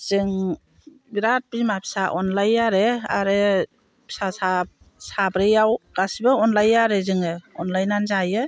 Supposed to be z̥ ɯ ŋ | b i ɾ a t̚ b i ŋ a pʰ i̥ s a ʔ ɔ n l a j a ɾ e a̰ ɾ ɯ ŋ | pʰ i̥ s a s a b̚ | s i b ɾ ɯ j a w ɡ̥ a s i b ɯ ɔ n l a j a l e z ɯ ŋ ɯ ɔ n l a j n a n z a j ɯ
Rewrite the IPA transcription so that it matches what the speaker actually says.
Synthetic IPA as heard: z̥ ɯ ŋ | b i ɾ a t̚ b i m a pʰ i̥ s a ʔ ɔ n l a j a ɾ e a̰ ɾ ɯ | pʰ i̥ s a s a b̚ | s a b ɾ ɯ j a w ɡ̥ a s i b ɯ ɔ n l a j a ɾ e z ɯ ŋ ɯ ɔ n l a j n a n z a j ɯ